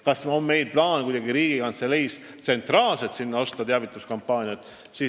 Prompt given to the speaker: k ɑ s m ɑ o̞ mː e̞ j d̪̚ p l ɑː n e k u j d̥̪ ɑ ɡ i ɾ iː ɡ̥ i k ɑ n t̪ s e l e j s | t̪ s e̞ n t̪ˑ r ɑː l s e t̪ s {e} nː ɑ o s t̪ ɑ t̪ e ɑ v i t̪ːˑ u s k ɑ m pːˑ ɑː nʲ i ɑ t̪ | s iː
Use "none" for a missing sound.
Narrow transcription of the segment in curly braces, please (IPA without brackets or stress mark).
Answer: i